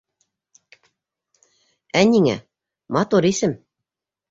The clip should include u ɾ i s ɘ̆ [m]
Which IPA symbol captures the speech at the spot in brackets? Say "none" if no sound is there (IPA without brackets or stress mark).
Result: m